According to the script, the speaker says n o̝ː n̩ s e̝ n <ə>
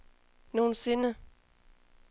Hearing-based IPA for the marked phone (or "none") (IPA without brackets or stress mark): ə